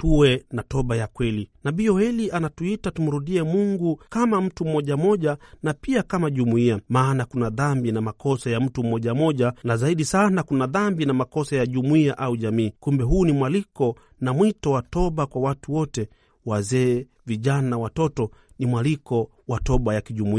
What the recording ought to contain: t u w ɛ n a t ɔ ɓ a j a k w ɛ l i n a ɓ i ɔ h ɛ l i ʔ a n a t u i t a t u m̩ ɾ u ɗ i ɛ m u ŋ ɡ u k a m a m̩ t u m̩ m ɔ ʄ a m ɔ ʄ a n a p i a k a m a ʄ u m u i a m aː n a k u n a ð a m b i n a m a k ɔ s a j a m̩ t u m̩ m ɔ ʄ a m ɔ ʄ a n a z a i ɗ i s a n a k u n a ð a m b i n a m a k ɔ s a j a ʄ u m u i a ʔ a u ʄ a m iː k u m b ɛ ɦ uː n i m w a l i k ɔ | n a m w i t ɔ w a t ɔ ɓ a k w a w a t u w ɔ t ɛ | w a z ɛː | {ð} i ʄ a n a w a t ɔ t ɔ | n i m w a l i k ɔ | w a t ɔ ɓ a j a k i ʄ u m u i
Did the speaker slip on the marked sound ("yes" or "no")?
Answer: yes